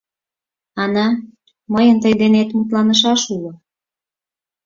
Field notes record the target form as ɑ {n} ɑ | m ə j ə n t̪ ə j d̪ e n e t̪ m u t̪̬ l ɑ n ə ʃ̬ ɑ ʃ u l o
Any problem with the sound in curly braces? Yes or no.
no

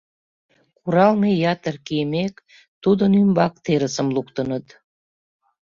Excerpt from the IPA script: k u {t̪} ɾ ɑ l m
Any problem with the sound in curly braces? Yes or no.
yes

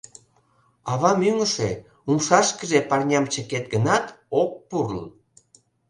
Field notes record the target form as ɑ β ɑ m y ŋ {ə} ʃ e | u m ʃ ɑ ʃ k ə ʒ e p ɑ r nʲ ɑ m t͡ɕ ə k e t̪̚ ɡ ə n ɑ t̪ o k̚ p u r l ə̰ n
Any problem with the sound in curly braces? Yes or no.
no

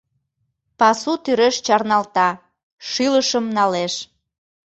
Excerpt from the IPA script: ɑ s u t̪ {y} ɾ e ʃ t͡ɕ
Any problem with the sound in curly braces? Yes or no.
no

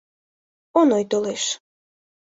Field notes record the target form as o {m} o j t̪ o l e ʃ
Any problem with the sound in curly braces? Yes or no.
yes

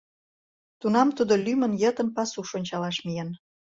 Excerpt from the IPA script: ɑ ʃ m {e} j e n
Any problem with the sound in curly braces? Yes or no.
yes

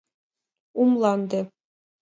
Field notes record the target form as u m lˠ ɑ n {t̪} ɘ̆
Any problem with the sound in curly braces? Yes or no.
yes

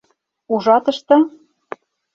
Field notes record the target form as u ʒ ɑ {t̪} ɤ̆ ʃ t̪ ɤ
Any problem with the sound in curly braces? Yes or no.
no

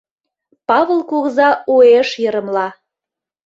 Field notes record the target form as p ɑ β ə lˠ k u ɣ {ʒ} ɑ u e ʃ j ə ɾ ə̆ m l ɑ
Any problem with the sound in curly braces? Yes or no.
yes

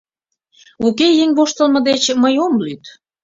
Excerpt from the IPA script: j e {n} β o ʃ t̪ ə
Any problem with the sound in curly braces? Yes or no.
yes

